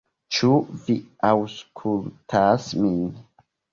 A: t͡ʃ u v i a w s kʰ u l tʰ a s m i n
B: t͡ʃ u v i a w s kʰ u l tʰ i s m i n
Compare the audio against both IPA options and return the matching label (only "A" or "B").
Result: A